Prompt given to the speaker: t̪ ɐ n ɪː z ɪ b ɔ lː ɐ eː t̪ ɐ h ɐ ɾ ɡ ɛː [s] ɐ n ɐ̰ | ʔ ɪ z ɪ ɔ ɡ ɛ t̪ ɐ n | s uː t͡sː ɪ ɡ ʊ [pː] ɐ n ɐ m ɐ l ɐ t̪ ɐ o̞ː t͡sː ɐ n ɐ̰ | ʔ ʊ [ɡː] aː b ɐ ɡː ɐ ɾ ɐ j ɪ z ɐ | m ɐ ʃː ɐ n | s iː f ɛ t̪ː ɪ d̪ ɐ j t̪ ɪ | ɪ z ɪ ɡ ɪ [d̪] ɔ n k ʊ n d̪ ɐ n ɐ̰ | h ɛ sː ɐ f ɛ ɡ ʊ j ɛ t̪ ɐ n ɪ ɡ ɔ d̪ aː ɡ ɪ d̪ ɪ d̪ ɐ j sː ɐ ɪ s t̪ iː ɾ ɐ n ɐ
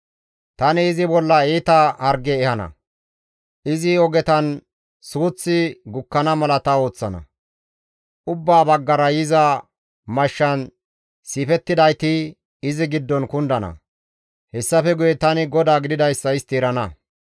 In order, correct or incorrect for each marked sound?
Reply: incorrect, incorrect, incorrect, incorrect

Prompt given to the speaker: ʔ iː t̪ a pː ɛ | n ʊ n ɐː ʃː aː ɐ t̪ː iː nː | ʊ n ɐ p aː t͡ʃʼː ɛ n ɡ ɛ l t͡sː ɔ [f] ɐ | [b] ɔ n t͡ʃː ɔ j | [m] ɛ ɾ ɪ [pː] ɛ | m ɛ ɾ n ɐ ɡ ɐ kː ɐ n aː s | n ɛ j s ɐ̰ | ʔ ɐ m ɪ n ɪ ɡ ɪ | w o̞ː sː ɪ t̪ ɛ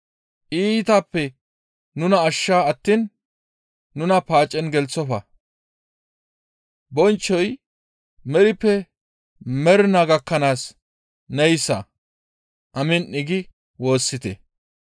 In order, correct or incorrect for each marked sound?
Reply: correct, correct, correct, correct

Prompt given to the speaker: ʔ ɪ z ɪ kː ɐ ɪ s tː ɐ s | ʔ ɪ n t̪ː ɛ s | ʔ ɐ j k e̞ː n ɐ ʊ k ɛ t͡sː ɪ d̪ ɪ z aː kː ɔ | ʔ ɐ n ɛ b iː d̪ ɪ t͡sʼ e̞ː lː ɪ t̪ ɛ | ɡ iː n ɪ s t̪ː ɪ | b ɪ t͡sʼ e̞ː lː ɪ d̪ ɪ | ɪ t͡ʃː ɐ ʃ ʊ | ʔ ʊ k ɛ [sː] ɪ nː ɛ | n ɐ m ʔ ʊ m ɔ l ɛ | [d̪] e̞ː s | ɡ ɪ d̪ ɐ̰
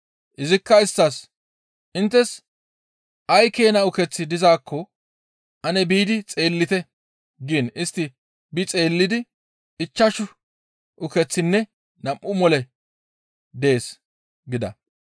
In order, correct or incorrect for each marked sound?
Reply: incorrect, correct

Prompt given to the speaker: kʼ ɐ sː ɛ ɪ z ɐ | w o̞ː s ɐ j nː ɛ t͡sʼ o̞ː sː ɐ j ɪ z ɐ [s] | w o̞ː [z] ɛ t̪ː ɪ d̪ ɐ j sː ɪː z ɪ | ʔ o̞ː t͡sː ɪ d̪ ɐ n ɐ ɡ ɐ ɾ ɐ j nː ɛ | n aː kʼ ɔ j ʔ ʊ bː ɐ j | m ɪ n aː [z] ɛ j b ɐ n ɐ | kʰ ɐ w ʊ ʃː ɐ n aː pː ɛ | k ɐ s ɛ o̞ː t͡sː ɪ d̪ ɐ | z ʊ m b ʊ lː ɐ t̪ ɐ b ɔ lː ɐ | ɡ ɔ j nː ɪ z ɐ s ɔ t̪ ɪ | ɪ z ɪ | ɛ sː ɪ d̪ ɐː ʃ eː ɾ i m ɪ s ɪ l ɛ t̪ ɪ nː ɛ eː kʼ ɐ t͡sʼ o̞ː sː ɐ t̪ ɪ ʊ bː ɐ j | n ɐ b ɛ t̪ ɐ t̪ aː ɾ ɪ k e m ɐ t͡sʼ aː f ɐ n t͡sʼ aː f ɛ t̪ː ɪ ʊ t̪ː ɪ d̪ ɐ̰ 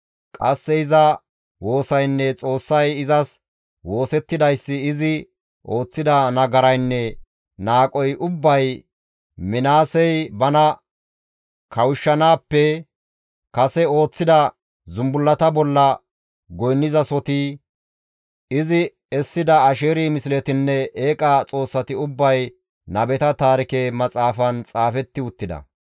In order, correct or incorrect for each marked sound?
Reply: correct, incorrect, incorrect

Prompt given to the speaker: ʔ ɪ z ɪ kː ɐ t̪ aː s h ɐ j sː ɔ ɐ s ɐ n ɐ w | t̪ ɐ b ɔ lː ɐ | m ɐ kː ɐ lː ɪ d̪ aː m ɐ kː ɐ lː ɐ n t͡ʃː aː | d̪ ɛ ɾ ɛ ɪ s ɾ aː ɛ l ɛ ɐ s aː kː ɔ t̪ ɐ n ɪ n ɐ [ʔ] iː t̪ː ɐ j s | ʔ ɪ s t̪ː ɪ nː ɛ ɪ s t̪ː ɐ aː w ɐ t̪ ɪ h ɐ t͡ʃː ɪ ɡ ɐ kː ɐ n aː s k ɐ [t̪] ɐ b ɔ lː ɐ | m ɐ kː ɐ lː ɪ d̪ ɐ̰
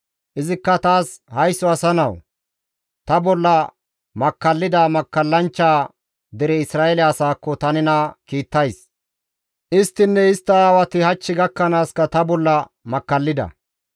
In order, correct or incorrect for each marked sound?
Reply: incorrect, correct

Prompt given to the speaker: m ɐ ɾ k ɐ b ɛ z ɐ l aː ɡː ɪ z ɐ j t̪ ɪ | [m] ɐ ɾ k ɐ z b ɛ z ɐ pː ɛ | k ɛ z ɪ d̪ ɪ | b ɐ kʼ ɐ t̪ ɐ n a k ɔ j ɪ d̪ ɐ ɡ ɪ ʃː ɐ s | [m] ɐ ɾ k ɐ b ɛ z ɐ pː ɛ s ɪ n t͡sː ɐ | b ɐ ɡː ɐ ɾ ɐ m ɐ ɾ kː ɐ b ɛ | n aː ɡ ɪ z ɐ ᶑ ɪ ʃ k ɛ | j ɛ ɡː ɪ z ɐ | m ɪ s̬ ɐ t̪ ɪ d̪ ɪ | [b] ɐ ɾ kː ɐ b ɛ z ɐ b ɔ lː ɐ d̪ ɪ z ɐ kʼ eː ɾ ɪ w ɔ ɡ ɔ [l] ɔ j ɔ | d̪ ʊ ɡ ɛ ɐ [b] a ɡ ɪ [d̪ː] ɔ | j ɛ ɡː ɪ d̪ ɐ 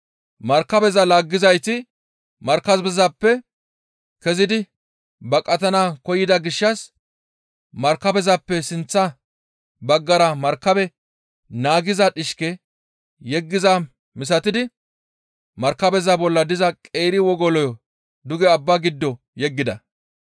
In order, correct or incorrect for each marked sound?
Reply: correct, correct, incorrect, correct, incorrect, correct

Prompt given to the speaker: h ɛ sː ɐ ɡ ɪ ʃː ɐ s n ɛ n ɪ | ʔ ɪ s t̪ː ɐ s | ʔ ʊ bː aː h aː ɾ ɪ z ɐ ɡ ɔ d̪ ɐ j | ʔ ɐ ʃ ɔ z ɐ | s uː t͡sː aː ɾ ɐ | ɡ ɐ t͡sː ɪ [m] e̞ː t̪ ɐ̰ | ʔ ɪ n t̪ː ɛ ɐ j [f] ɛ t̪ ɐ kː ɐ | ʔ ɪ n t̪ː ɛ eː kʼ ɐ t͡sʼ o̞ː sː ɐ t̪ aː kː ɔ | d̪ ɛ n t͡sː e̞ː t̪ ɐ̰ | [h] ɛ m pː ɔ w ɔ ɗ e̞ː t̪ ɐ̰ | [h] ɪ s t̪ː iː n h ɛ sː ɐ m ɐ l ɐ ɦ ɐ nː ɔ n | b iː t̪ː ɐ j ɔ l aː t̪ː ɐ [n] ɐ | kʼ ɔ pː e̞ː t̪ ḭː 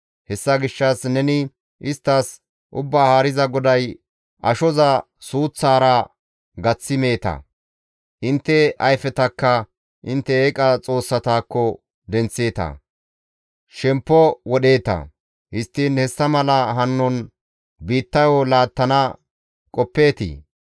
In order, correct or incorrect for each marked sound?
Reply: correct, correct, incorrect, correct, correct

